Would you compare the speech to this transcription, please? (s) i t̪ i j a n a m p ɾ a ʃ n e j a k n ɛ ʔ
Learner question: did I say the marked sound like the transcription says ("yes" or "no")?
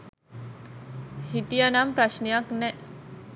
no